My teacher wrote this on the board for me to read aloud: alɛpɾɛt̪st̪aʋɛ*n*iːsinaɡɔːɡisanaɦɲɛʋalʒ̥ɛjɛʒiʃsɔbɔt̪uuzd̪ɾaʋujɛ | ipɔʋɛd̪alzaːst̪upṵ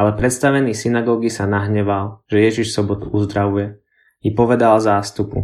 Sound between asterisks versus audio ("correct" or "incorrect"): correct